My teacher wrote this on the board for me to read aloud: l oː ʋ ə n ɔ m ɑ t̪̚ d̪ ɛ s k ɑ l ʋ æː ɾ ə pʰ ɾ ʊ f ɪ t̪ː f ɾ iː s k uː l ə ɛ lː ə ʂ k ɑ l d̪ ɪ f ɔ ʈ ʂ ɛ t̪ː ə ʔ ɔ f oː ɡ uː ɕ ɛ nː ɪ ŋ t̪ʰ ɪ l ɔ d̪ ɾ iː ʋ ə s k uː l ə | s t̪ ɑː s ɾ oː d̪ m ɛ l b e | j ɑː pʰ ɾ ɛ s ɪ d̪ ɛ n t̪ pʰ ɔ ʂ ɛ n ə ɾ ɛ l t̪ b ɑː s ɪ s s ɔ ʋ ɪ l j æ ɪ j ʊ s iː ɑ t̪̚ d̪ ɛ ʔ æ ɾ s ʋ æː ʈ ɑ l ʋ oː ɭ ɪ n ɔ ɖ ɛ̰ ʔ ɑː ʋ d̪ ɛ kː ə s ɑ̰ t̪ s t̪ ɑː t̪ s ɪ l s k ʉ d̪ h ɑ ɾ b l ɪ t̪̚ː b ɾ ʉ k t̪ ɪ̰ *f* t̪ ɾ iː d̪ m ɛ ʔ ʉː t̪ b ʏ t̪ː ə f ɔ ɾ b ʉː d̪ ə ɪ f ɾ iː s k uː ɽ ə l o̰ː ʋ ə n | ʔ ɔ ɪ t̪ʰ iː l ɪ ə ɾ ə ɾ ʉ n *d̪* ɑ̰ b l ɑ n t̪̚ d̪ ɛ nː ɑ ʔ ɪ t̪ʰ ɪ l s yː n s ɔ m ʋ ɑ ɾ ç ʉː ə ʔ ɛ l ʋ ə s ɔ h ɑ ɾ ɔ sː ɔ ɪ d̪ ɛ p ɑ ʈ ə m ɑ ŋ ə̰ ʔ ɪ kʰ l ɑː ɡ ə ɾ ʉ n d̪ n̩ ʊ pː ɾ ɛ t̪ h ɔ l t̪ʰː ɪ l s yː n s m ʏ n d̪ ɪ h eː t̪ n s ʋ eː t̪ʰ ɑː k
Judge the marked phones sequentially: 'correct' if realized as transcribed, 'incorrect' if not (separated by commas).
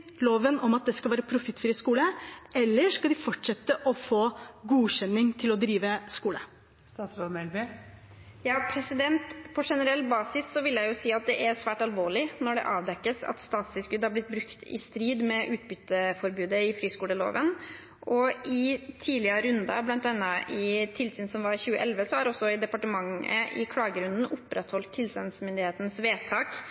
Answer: incorrect, correct